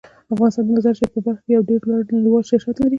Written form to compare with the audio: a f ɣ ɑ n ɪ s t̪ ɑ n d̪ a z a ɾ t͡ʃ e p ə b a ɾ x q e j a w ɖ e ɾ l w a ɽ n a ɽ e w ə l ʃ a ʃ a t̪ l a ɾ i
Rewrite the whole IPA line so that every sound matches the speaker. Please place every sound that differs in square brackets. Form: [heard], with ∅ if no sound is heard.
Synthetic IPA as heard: a f ɣ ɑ n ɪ s t̪ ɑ n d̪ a z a ɾ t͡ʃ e p ə b a ɾ x [k] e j a w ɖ e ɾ l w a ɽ n a ɽ [i] w [ɑ] l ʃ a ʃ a t̪ l a ɾ i